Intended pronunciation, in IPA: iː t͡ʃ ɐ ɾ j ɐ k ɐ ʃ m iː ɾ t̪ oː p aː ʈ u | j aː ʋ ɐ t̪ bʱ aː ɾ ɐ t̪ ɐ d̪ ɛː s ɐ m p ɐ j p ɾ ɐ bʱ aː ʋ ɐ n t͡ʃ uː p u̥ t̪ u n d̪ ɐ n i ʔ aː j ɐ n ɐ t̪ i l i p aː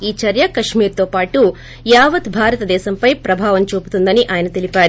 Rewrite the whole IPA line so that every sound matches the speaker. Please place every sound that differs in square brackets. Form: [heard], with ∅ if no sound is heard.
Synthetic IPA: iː t͡ʃ ɐ ɾ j ɐ k ɐ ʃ m iː ɾ t̪ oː p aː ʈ u | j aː ʋ ɐ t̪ bʱ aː ɾ ɐ t̪ ɐ d̪ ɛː s ɐ m p ɐ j p ɾ ɐ bʱ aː ʋ ɐ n t͡ʃ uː p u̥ t̪ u n d̪ ɐ n i ʔ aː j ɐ n ɐ t̪ i l i p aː